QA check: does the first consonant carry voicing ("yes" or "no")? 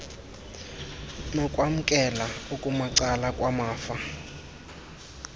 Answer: yes